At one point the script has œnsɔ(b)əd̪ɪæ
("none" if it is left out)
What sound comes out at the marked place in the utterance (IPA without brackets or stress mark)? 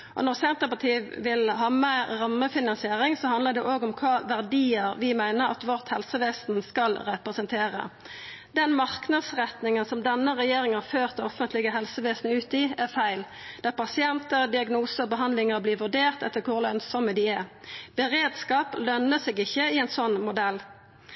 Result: m